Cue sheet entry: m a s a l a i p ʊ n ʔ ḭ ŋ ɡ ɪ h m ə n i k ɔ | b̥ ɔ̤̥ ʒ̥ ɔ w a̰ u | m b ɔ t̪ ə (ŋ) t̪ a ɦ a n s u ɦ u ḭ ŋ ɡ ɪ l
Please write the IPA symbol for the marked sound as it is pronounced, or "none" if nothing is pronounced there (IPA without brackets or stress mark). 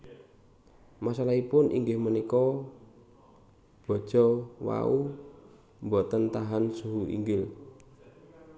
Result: n